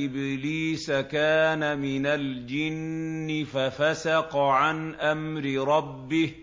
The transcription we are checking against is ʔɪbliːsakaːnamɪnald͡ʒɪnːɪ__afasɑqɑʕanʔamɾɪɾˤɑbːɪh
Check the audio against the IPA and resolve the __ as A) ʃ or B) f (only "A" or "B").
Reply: B